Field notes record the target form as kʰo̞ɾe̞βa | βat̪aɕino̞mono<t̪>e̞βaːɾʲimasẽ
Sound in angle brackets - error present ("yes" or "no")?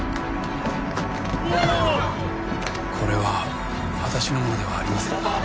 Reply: yes